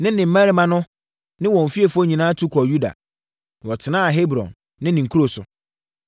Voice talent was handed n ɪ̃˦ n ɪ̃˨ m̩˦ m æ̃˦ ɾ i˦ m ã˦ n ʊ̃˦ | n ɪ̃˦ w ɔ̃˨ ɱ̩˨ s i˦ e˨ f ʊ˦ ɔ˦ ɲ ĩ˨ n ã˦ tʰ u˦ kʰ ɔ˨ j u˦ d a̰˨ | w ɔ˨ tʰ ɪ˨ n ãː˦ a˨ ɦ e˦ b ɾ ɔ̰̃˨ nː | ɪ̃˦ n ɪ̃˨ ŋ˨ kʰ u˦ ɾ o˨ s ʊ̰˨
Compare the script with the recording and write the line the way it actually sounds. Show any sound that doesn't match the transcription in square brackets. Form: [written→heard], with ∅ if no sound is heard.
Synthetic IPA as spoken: n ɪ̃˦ n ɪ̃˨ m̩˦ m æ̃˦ ɾ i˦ m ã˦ n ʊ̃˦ | n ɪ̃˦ w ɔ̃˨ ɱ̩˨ [s→f] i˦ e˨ f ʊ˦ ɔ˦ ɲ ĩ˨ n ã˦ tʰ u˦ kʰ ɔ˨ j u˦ d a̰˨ | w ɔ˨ tʰ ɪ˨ n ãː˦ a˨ ɦ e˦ b ɾ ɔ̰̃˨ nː | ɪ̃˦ n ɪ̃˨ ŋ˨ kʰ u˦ ɾ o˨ s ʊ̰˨